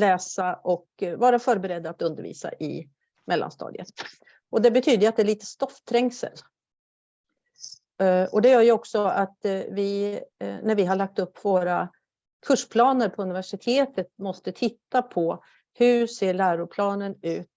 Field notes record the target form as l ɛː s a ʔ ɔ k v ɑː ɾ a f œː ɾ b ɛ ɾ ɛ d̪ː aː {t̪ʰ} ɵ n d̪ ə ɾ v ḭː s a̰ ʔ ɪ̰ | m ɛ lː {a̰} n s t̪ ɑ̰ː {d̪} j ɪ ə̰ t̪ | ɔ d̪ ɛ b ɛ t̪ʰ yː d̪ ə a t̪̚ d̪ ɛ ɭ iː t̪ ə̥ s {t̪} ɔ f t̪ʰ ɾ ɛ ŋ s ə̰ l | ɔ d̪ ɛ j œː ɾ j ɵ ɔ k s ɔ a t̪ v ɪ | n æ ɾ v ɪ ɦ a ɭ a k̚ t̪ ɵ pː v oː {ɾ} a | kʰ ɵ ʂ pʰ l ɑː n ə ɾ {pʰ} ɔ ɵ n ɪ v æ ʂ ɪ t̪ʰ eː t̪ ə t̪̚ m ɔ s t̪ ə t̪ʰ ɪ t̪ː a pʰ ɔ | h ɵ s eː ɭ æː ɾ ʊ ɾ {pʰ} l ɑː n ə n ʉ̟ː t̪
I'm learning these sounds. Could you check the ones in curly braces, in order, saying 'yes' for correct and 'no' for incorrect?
no, yes, yes, yes, yes, yes, yes

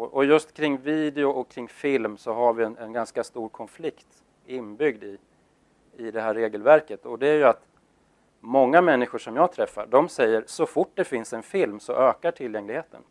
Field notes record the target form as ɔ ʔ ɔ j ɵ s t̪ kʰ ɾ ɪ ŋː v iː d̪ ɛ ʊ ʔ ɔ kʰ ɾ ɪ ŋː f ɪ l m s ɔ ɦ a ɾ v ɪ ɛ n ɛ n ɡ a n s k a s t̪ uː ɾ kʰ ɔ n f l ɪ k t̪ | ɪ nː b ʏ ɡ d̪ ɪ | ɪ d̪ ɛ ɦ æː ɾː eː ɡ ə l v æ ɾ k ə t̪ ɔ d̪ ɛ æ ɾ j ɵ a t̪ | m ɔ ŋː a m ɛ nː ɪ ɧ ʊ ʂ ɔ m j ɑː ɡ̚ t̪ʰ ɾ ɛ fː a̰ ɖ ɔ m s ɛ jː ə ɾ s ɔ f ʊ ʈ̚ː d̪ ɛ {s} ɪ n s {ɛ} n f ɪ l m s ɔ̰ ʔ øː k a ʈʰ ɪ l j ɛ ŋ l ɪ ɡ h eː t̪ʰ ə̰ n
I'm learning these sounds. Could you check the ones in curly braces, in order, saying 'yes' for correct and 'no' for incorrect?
no, yes

